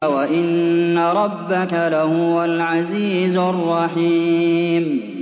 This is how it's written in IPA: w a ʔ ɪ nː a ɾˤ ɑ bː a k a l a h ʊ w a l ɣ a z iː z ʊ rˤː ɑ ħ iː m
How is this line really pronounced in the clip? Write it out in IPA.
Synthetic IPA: w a ʔ ɪ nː a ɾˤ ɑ bː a k a l a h ʊ w a l ʕ a z iː z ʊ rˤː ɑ ħ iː m